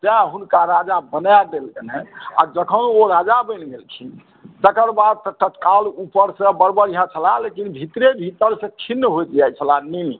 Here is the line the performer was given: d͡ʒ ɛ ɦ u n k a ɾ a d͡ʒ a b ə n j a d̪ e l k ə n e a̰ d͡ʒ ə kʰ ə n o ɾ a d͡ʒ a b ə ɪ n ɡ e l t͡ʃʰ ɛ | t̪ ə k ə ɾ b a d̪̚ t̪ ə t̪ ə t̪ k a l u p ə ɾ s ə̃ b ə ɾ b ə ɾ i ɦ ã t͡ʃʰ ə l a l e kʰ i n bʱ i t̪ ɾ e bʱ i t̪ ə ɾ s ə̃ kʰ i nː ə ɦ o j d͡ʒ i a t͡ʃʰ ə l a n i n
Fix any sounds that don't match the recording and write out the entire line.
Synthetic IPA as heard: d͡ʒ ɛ ɦ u n k a ɾ a d͡ʒ a b ə n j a d̪ e l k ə n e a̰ d͡ʒ ə kʰ ə n o ɾ a d͡ʒ a b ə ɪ n ɡ e l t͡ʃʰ i | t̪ ə k ə ɾ b a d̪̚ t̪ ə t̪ ə t̪ k a l u p ə ɾ s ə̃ b ə ɾ b ə ɾ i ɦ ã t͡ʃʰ ə l a l e k i n bʱ i t̪ ɾ e bʱ i t̪ ə ɾ s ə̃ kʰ i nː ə ɦ o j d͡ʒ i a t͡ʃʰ ə l a n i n